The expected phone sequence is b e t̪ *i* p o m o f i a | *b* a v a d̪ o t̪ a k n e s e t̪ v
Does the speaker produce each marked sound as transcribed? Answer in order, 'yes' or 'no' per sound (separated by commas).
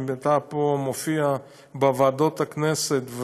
no, yes